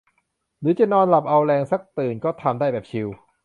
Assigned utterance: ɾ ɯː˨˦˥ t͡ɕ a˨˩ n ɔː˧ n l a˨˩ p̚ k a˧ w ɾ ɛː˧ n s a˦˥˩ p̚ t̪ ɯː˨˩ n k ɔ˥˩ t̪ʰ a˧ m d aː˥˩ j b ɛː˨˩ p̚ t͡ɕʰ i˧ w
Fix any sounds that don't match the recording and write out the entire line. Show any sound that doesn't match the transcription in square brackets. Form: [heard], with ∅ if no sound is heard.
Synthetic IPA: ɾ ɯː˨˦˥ t͡ɕ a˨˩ n ɔː˧ n l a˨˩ p̚ [ʔ] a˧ w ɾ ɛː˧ [ŋ] s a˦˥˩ [k̚] t̪ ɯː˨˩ n k [ɔː˥˩] t̪ʰ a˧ m d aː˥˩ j b ɛː˨˩ p̚ t͡ɕʰ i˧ w